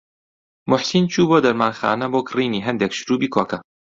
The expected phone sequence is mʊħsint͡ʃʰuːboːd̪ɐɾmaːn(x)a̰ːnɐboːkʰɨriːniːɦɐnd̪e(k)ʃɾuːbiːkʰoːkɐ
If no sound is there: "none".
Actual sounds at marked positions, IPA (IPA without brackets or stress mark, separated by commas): x, k